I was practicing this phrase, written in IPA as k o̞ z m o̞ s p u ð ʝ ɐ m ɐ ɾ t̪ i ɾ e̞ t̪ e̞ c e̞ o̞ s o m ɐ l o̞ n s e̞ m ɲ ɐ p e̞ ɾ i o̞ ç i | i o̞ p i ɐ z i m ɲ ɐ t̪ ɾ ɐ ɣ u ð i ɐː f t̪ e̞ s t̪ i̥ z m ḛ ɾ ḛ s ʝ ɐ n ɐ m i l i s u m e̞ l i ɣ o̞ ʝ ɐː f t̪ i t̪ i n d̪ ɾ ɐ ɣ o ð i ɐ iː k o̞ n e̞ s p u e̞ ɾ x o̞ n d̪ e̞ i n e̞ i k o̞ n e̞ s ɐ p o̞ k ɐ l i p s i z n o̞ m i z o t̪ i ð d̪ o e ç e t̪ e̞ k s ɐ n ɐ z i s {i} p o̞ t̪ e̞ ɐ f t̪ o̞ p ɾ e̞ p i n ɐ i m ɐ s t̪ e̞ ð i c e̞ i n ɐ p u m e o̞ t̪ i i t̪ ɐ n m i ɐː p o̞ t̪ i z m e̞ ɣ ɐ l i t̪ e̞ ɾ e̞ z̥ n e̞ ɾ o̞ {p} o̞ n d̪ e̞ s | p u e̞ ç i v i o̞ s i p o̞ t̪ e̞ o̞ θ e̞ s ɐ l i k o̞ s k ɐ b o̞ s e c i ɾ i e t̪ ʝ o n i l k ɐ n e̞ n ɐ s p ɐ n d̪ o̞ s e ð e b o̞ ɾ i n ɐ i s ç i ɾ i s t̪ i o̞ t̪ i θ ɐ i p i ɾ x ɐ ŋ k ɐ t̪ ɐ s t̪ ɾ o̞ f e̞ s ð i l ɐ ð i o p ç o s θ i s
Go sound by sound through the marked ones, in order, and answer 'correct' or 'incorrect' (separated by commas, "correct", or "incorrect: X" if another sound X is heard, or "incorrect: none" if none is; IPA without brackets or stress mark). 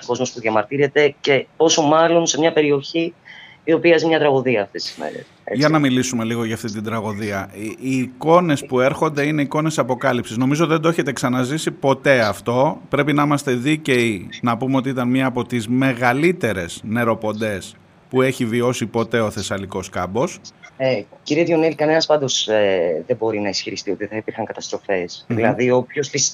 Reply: correct, correct